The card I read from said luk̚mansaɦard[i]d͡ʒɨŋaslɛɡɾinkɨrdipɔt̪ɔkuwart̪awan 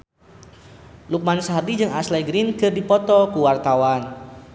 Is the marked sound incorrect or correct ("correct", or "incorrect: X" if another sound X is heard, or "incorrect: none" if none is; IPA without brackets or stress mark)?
correct